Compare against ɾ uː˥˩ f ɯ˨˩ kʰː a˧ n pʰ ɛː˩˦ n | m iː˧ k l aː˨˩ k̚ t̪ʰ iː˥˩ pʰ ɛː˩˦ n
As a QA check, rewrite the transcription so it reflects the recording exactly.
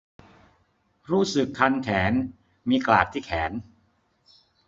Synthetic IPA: ɾ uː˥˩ s ɯ˨˩ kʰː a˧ n kʰ ɛː˩˦ n | m iː˧ k l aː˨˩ k̚ t̪ʰ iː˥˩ kʰ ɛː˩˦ n